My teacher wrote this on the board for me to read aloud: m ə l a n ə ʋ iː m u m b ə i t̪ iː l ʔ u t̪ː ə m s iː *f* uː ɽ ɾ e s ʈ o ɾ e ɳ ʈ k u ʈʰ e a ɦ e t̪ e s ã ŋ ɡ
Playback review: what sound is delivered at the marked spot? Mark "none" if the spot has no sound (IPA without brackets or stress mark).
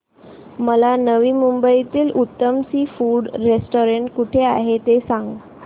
f